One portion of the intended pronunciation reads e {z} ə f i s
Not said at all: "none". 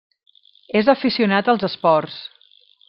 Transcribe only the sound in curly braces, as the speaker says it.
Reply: z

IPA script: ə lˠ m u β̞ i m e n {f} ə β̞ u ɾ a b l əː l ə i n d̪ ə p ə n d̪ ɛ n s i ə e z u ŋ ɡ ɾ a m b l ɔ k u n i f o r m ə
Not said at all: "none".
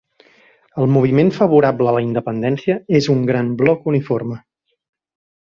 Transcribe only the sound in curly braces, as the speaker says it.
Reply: f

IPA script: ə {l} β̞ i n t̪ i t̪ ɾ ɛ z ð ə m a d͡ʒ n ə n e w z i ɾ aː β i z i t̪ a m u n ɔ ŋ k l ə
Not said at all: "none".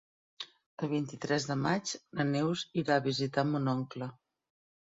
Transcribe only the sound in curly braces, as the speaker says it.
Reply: l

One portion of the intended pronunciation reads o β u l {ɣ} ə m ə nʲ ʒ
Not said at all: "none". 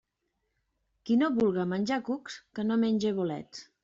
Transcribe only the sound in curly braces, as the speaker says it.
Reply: ɣ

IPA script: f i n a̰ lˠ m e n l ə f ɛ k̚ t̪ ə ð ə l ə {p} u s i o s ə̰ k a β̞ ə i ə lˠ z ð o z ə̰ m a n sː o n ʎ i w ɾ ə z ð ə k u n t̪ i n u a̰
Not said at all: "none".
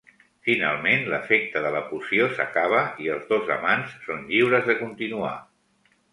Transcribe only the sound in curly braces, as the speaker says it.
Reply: p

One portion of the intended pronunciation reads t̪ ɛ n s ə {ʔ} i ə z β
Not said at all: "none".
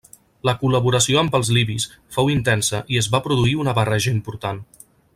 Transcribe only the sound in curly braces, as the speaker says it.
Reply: ʔ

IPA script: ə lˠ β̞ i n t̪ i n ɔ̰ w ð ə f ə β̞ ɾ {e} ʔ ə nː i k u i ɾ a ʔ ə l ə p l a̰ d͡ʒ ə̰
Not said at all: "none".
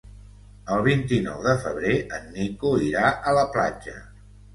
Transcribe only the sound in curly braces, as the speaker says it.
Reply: e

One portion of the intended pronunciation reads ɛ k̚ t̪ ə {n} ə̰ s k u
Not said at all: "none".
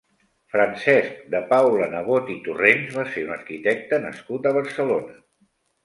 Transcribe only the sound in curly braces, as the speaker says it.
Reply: n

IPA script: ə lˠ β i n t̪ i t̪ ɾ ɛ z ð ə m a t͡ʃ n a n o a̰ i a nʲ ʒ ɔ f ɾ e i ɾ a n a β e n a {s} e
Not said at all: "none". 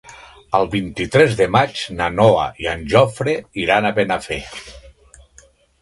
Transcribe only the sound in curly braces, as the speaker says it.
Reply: f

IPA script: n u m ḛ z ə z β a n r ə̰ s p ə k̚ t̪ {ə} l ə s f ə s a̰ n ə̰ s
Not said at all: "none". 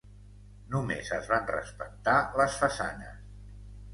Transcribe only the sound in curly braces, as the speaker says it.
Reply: a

